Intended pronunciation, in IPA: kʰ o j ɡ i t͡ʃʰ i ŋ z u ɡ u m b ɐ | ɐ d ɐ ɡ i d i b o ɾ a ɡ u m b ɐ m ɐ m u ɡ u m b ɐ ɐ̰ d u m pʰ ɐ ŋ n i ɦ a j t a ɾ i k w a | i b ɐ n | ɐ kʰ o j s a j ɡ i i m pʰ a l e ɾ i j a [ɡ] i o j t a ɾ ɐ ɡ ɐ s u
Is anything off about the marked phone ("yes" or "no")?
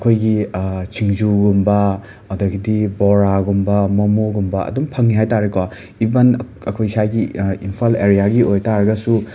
no